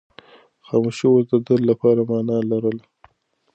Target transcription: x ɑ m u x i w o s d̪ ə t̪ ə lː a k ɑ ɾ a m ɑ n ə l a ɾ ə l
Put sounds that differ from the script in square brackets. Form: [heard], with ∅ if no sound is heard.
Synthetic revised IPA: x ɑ m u [ʃ] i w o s d̪ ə [d̪] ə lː a [p] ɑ ɾ a m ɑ n [ɑ] l a ɾ ə l